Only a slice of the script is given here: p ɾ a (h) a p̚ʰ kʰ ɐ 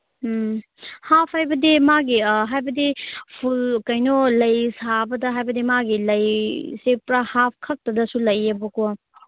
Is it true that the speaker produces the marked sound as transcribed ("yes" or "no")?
yes